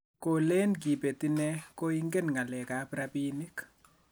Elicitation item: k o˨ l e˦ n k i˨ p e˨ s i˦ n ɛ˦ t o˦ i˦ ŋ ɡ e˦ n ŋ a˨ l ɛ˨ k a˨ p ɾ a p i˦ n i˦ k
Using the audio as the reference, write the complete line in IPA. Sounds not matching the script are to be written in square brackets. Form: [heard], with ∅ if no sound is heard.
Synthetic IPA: k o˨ l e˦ n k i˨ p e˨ [t] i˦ n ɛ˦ [k] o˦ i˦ ŋ ɡ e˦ n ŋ a˨ l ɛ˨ k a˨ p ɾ a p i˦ n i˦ k